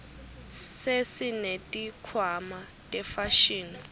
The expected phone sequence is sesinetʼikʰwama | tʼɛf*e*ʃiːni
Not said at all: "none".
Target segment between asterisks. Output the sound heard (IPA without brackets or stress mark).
a